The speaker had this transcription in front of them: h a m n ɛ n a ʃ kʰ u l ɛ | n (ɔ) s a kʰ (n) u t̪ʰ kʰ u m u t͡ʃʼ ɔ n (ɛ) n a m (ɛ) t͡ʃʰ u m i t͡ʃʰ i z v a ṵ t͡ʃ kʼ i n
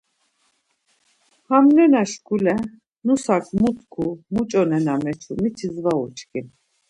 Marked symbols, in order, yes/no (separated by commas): no, no, yes, yes